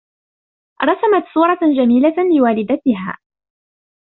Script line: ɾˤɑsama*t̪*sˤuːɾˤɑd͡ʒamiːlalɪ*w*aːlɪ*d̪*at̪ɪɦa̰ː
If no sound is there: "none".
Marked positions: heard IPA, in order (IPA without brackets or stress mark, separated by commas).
t̪, w, d̪